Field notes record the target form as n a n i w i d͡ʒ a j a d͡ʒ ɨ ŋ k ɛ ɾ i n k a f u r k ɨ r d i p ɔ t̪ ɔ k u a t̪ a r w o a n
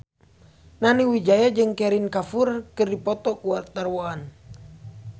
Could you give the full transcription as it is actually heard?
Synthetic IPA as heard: n a n i w i d͡ʒ a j a d͡ʒ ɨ ŋ k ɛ ɾ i n k a f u r k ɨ r d i p ɔ t̪ ɔ k u a t̪ a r w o a n